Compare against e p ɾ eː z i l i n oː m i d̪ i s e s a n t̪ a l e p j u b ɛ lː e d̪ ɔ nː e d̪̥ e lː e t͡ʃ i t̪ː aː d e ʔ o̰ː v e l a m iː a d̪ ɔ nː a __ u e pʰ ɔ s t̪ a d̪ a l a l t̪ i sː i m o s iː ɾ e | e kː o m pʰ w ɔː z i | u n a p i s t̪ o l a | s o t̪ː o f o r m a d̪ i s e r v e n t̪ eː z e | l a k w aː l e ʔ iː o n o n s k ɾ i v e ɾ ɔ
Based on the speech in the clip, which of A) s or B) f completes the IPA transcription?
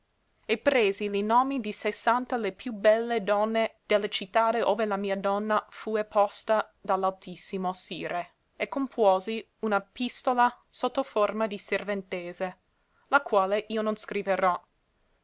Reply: B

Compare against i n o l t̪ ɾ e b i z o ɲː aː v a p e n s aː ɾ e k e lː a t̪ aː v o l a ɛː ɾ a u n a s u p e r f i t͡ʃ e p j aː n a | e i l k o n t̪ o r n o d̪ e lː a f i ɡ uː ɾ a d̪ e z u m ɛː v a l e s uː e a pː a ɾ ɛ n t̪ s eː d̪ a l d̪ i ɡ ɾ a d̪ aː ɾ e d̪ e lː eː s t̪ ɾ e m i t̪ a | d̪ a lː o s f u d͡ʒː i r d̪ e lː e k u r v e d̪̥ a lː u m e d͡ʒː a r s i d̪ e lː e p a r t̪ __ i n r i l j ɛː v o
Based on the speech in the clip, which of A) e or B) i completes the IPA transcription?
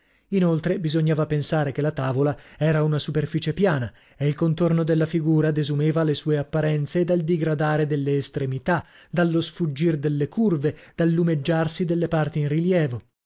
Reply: B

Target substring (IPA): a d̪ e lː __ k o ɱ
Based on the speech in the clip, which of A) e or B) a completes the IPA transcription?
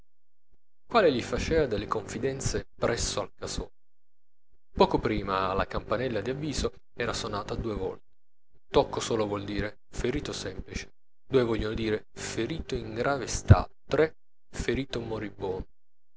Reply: A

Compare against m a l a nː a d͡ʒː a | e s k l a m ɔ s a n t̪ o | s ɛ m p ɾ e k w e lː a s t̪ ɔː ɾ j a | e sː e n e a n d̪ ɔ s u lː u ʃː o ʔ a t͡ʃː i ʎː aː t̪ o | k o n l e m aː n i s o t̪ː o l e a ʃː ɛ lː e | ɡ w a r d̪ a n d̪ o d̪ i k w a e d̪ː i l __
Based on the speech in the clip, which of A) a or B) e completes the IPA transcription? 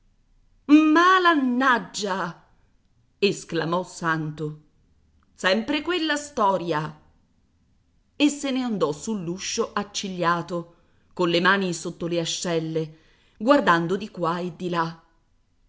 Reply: A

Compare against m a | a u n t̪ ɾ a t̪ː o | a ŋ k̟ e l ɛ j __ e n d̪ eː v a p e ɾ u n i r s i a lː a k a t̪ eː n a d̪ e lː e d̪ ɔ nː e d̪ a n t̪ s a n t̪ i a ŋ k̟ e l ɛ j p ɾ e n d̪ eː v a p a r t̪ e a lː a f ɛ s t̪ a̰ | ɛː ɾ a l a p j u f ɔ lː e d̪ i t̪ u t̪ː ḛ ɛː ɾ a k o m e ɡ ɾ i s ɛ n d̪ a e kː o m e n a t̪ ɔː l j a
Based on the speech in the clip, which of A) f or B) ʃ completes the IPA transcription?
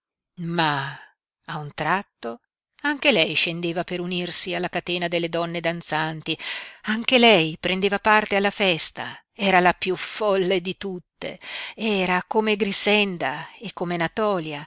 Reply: B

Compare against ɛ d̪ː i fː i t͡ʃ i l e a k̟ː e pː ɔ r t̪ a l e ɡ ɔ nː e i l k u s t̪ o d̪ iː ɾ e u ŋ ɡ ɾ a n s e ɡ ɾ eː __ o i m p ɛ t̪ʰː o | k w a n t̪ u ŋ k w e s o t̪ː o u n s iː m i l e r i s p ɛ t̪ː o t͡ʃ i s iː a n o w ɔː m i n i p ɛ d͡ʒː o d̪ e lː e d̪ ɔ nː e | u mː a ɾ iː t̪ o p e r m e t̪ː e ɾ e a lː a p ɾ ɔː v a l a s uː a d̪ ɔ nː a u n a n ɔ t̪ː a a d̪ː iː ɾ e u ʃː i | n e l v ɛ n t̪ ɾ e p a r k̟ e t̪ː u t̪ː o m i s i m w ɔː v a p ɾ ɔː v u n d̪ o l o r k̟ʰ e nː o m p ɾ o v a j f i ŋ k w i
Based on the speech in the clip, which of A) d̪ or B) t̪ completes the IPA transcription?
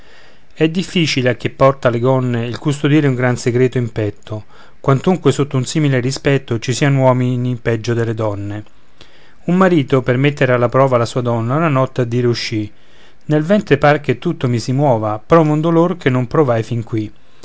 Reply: B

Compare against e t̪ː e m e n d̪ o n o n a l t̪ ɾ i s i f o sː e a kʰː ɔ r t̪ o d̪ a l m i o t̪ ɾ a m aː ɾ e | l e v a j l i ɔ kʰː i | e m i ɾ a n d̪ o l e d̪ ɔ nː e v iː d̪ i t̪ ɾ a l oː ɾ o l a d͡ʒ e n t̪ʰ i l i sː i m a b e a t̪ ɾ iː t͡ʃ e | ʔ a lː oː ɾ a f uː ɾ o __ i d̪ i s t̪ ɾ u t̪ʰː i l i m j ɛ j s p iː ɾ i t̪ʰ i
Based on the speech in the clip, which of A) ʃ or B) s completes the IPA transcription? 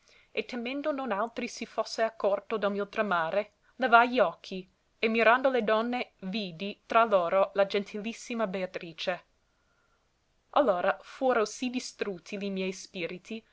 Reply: B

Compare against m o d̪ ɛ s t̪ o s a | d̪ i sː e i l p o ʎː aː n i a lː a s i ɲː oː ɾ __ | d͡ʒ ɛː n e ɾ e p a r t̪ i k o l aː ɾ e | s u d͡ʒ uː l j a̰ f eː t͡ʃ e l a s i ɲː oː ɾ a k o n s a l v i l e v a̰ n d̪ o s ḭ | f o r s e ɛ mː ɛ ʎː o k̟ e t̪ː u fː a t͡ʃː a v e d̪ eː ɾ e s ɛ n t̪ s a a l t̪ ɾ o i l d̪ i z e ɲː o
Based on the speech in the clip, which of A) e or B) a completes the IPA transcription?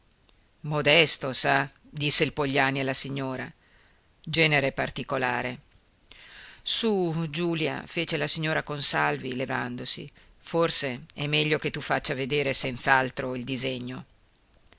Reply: B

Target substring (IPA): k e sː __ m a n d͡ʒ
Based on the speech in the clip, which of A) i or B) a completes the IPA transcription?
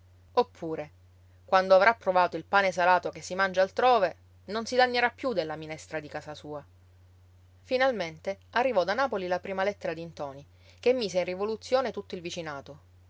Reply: A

